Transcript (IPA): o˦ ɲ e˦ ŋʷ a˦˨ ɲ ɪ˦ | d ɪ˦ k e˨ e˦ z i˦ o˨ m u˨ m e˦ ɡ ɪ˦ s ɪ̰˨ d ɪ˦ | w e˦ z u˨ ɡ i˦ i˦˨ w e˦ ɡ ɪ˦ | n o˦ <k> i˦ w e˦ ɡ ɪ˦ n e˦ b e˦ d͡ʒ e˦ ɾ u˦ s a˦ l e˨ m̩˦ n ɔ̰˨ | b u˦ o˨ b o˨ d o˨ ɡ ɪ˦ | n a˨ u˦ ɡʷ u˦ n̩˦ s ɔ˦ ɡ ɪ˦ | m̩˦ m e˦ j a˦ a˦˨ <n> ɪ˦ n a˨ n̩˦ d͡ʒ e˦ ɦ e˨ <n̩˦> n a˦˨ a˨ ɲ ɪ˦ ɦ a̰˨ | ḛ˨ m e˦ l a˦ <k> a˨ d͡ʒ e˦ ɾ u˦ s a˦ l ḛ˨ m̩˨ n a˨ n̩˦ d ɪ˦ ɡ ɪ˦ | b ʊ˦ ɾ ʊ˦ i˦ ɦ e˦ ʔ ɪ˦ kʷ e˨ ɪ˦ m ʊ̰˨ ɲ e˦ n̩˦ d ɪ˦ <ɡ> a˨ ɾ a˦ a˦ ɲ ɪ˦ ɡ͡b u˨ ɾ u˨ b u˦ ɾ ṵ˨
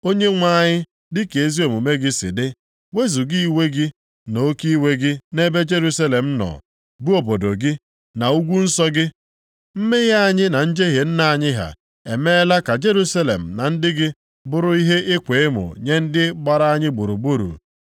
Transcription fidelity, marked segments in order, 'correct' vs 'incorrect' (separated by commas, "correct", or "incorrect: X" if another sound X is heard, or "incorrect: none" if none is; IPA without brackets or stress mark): correct, incorrect: ɲ, correct, correct, incorrect: ɡ͡b